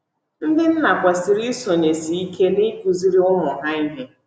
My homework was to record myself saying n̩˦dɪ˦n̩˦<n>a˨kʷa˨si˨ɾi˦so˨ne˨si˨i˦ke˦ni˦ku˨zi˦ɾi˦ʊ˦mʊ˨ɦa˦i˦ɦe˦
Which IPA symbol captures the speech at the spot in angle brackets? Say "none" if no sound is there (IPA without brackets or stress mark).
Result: n